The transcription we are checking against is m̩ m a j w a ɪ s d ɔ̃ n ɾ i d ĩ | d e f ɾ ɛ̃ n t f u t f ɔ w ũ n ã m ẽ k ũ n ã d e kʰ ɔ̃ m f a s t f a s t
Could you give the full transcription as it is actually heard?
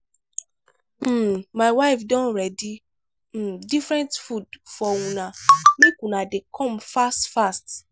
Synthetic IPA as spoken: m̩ m a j w a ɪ f d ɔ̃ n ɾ ɛ d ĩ | d i f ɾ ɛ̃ n t f u d f ɔ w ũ n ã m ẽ k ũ n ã d e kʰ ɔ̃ m f a s t f a s t